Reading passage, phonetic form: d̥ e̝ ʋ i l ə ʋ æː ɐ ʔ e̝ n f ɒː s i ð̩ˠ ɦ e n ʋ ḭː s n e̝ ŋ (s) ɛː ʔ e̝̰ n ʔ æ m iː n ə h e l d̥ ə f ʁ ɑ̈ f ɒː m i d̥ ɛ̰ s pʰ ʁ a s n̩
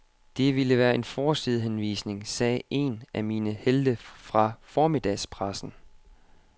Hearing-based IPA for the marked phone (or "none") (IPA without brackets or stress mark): s